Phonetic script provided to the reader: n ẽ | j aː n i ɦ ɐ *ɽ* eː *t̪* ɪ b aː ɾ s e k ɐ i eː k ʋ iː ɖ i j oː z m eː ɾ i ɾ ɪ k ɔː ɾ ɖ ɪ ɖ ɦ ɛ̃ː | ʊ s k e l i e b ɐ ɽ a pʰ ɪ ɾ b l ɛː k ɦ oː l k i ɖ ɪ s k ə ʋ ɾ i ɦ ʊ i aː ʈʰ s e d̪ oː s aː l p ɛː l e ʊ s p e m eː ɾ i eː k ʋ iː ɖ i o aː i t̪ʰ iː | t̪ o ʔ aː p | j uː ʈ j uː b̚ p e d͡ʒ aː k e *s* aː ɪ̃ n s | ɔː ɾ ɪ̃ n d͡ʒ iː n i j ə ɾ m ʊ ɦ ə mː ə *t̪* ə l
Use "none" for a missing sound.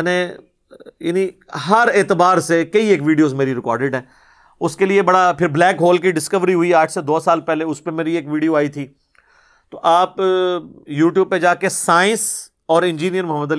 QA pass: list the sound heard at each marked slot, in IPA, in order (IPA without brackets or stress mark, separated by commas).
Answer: ɾ, t̪, s, d̪